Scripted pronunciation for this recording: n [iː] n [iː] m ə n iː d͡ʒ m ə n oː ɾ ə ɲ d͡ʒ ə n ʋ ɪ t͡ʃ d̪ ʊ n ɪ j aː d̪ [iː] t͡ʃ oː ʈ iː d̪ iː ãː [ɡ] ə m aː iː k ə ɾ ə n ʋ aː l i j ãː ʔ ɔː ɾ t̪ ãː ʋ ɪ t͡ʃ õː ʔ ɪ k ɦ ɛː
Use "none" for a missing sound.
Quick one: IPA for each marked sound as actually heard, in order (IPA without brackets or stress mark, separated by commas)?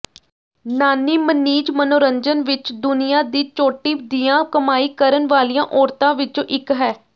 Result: aː, iː, iː, k